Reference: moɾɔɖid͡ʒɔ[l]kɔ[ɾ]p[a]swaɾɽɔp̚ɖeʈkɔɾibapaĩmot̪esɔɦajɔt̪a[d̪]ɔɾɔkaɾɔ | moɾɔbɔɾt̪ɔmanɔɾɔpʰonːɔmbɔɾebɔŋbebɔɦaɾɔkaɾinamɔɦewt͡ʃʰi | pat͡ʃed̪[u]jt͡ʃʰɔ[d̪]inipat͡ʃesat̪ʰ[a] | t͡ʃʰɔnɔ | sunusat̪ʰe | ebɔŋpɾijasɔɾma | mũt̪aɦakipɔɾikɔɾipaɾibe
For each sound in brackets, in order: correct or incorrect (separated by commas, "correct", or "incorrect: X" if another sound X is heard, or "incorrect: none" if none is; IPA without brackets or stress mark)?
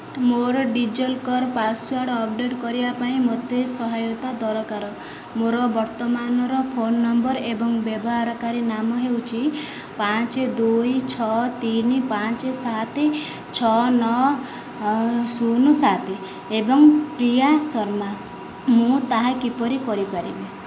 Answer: correct, correct, correct, correct, correct, incorrect: t̪, incorrect: e